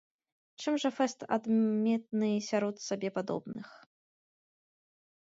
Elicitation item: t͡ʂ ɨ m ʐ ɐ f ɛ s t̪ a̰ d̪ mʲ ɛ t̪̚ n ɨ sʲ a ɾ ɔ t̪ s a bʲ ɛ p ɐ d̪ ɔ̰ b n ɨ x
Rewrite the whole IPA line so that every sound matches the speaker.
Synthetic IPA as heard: t͡ʂ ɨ m ʐ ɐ f ɛ s t̪ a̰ d̪ mʲ ɛ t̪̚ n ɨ sʲ a ɾ ɔ t̪ s a bʲ ɛ p a d̪ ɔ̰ b n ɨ x